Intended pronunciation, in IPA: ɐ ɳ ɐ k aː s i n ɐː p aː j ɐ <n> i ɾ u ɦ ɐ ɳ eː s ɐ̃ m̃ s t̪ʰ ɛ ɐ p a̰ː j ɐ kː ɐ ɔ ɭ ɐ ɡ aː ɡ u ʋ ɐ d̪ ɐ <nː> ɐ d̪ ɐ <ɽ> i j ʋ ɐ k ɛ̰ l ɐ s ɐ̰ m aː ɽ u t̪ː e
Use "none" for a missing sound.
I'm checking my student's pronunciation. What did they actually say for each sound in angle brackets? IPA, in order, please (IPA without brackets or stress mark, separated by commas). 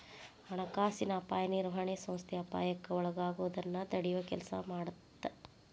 n, nː, ɽ